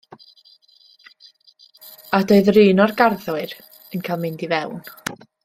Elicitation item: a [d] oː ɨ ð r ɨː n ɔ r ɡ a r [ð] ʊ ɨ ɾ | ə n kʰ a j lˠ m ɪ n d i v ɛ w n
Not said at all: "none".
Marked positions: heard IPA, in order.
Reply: d, ð

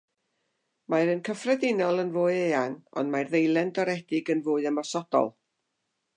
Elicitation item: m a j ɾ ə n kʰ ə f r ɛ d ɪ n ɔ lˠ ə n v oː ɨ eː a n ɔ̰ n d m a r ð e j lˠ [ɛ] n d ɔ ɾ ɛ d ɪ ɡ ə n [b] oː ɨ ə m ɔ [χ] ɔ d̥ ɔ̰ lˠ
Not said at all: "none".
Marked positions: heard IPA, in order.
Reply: ɛ, v, s

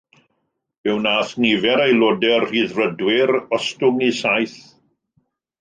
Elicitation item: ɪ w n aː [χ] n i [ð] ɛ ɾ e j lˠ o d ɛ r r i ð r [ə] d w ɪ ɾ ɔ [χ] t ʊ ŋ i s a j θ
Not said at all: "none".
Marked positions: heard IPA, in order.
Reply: θ, v, ə, s

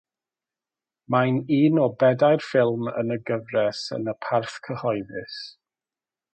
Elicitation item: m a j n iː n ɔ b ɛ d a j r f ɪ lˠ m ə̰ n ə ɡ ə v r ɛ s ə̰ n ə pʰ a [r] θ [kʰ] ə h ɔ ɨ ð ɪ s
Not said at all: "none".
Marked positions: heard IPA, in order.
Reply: r, kʰ

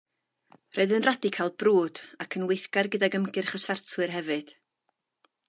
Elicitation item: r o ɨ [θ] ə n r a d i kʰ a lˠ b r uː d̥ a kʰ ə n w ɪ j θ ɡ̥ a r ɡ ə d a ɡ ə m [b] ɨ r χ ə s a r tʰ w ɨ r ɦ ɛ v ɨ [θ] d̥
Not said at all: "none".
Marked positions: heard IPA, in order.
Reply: ð, ɡ, none

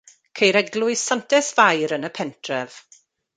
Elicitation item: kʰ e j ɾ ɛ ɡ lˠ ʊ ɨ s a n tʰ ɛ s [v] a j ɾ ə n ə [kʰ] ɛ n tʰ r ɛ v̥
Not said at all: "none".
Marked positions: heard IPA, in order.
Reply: v, pʰ

